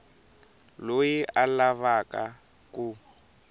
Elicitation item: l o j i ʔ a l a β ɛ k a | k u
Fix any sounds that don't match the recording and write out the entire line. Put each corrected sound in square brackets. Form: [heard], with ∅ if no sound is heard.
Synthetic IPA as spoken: l o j i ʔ a l a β [a] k a | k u